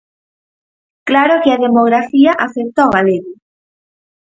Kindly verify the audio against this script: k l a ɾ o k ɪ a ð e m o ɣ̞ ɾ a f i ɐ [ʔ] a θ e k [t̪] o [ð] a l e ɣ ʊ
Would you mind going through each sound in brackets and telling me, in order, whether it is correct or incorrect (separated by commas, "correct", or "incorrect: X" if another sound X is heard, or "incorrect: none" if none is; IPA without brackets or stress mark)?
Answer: correct, correct, incorrect: ɣ